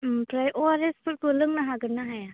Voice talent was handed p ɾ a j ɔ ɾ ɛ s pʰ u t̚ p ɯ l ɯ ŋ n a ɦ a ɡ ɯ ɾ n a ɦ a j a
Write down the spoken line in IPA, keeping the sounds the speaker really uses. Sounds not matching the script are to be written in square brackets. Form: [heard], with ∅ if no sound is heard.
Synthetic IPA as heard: p ɾ a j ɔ ɾ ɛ s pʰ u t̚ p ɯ l ɯ ŋ n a ɦ a ɡ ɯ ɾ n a ɦ a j a